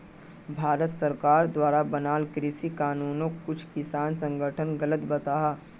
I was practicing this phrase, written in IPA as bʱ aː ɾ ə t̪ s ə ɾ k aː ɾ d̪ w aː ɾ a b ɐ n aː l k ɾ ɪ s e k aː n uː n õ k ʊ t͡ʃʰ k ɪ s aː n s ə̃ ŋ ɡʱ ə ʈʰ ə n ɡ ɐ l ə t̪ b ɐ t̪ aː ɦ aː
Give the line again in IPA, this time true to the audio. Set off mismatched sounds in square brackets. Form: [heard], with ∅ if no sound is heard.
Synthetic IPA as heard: bʱ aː ɾ ə t̪ s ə ɾ k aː ɾ d̪ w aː ɾ a b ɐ n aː l k ɾ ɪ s [i] k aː n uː n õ k ʊ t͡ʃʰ k ɪ s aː n s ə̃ ŋ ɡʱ ə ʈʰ ə n ɡ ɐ l ə t̪ b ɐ t̪ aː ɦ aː